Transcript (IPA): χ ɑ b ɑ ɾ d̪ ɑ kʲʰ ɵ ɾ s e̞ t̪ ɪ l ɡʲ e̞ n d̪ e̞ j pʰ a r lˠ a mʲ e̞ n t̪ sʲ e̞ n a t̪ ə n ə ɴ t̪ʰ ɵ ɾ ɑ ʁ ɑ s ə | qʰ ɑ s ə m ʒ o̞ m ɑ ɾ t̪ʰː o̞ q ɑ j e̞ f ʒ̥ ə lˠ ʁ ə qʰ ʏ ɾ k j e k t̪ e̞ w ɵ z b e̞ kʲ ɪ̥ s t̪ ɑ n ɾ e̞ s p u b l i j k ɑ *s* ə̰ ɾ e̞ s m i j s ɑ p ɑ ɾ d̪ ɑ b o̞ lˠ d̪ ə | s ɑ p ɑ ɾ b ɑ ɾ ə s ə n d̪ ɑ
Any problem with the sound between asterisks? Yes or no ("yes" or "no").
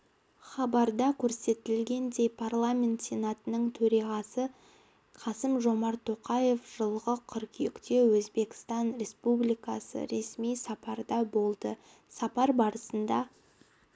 no